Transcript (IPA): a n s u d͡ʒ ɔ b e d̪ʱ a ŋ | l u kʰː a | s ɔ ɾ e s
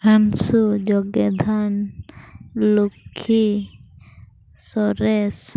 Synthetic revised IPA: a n s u d͡ʒ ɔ ɡ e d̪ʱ a n | l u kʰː i | s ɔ ɾ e s